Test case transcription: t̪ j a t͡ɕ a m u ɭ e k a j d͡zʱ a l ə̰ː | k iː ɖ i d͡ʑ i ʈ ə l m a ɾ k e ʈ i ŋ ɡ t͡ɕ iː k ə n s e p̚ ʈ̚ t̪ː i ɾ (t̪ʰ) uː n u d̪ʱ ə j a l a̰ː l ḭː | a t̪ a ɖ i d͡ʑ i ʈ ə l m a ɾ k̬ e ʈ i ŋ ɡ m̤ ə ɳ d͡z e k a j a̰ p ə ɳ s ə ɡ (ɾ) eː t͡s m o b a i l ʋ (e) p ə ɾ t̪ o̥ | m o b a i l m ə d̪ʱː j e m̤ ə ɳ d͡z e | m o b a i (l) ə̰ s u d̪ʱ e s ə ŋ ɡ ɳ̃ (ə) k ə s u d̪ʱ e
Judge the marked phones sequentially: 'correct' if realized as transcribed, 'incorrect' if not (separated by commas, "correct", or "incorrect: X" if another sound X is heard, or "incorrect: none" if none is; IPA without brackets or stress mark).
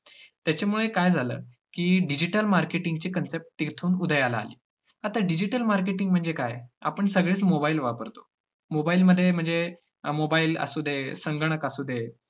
correct, incorrect: ɭ, incorrect: a, correct, correct